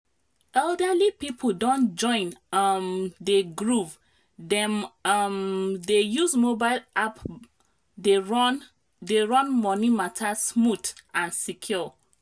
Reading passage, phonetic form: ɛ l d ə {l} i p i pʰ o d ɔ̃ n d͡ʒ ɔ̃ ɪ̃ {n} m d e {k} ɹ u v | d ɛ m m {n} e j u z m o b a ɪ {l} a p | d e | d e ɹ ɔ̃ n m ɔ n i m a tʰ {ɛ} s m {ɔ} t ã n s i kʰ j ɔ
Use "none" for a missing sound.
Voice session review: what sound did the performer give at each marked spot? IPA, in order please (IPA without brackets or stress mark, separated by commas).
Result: l, n, ɡ, d, l, a, u